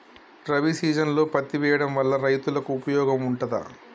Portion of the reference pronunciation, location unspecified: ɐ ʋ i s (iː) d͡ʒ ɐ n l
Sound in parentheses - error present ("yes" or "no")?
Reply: no